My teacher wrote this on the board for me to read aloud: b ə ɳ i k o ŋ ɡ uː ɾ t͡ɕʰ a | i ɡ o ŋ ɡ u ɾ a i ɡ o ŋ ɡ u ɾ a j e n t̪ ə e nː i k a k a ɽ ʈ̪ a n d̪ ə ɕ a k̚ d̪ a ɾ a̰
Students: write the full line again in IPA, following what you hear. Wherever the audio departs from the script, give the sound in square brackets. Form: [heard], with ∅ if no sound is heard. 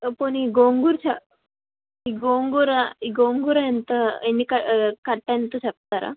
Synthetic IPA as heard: [p] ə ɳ i [ɡ] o ŋ ɡ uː ɾ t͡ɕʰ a | i ɡ o ŋ ɡ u ɾ a i ɡ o ŋ ɡ u ɾ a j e n t̪ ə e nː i k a k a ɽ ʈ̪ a n [t̪] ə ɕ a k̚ [t̪] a ɾ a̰